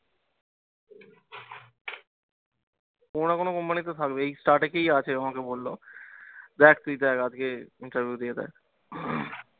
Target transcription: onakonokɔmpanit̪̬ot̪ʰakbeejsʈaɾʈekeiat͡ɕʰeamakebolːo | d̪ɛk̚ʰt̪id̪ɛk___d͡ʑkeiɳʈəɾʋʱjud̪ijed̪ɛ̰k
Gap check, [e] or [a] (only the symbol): a